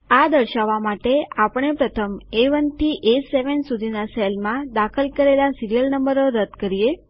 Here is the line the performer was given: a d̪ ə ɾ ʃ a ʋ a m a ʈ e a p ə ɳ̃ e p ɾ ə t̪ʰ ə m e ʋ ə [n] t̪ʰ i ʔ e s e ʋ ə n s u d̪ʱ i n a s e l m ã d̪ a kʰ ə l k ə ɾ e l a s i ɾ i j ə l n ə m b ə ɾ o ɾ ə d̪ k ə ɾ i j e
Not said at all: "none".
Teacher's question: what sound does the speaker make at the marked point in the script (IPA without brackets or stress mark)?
n